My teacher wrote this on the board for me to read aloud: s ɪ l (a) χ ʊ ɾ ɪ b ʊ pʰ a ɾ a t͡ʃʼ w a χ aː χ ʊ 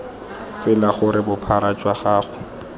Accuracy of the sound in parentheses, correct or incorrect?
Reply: correct